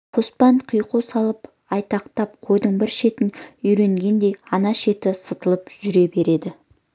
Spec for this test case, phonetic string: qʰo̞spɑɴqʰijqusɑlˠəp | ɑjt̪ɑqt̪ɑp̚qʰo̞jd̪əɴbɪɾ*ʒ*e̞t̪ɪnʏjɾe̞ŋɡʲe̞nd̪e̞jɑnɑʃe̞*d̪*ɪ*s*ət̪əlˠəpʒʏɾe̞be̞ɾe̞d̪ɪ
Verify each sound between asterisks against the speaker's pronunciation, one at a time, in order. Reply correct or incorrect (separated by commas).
incorrect, incorrect, correct